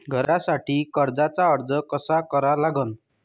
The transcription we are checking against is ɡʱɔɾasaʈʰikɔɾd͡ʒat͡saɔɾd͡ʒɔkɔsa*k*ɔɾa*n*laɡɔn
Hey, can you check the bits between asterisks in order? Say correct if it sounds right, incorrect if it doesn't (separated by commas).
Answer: correct, incorrect